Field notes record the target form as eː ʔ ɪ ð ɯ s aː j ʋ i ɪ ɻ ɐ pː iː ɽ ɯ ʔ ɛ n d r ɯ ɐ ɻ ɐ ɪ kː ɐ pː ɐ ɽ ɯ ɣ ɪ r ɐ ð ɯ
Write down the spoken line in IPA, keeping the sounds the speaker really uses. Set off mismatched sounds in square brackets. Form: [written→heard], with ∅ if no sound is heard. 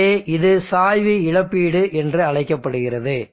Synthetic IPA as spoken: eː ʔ ɪ ð ɯ s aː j ʋ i ɪ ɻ ɐ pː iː ɽ ɯ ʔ ɛ n d r ɯ ɐ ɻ ɐ ɪ kː ɐ pː ɐ ɽ ɯ ɣ ɪ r ɐ ð ɯ